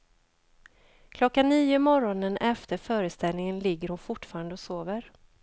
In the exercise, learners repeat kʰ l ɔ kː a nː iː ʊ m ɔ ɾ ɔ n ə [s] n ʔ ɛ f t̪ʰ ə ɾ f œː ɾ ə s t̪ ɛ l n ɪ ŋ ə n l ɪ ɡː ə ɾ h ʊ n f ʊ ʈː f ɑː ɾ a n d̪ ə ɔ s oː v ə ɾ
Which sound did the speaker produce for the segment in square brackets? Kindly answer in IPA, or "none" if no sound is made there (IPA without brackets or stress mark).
none